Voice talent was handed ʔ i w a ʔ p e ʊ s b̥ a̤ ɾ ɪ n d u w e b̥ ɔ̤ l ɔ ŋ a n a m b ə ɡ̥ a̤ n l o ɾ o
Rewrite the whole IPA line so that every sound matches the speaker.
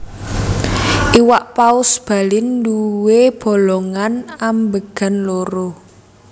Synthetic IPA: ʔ i w a ʔ p a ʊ s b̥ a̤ l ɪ n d u w e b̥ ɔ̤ l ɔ ŋ a n a m b ə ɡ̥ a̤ n l o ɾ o